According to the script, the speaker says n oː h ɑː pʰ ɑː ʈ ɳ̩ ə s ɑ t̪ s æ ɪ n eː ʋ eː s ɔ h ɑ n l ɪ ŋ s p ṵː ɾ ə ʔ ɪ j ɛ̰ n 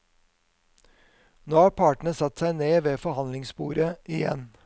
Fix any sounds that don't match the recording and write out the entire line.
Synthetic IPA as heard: n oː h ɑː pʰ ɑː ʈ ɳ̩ ə s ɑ t̪ s æ ɪ n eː ʋ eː f ɔ h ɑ n l ɪ ŋ s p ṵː ɾ ə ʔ ɪ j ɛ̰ n